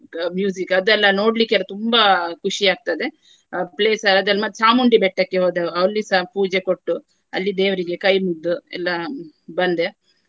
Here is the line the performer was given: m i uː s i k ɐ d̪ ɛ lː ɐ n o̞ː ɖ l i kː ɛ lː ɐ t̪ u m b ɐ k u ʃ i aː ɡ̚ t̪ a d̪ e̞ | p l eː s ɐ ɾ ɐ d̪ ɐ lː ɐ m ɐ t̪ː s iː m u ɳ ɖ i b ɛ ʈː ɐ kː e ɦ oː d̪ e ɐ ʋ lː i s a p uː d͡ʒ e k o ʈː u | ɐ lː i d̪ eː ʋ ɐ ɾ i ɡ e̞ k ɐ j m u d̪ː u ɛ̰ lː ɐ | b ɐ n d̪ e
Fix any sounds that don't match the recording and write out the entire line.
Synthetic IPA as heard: m j uː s i k ɐ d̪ ɛ lː ɐ n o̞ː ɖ l i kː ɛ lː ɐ t̪ u m b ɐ k u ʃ i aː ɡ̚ t̪ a d̪ e̞ | p l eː s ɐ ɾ ɐ d̪ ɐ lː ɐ m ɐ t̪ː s aː m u ɳ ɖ i b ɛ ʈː ɐ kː e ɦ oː d̪ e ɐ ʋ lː i s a p uː d͡ʒ e k o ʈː u | ɐ lː i d̪ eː ʋ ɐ ɾ i ɡ e̞ k ɐ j m u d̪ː u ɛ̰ lː ɐ | b ɐ n d̪ e